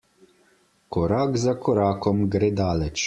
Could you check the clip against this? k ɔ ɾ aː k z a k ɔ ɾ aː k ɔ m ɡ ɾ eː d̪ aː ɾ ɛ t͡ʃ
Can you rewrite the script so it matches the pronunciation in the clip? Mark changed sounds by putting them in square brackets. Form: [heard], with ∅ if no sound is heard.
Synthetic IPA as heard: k ɔ ɾ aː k z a k ɔ ɾ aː k ɔ m ɡ ɾ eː d̪ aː [l] ɛ t͡ʃ